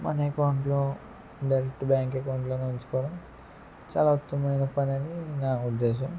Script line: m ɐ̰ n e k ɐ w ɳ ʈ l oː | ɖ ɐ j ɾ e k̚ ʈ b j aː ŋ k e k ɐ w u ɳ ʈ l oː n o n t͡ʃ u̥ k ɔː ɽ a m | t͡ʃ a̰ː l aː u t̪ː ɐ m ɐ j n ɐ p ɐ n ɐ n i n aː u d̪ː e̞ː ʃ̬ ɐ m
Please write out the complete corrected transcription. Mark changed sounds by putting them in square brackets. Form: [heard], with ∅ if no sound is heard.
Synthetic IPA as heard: m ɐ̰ n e k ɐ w ɳ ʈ l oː | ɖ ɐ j ɾ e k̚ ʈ b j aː ŋ k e k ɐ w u ɳ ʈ l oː n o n t͡ʃ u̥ k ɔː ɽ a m | t͡ʃ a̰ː l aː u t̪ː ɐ m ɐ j n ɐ p ɐ n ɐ n i n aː u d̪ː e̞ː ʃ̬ ɐ m